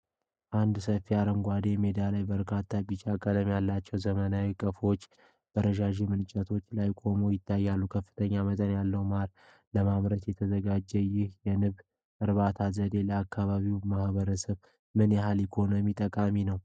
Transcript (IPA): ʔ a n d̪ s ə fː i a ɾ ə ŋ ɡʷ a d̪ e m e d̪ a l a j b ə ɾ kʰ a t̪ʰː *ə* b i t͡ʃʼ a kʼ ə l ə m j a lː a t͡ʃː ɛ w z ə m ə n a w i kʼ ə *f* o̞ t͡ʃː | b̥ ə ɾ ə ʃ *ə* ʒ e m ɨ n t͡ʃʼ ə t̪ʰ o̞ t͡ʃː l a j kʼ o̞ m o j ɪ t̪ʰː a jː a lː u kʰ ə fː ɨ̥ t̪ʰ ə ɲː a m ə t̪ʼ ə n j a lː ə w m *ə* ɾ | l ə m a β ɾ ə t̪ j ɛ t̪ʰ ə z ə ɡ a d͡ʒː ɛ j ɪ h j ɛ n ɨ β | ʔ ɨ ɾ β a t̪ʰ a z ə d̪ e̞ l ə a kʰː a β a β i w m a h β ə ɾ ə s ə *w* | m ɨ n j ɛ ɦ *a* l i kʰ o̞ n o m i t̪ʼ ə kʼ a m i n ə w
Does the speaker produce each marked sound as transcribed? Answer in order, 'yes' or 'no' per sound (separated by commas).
no, yes, no, no, no, yes